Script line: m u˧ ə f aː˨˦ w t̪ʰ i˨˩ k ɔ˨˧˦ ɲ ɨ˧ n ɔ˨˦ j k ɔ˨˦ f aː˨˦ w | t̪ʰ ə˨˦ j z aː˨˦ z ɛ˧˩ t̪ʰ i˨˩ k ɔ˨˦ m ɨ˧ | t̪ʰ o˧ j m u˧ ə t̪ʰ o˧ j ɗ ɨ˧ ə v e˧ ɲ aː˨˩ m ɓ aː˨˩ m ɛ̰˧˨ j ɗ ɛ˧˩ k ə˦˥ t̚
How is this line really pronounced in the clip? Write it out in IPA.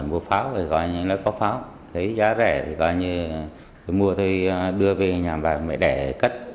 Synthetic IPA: m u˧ ə f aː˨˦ w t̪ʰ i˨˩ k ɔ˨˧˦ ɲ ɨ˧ n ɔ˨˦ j k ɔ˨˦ f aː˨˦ w | t̪ʰ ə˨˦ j z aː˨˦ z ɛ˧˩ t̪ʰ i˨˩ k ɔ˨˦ ɲ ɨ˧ | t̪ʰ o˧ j m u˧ ə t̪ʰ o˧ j ɗ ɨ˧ ə v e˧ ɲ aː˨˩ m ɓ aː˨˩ m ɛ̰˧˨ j ɗ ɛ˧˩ k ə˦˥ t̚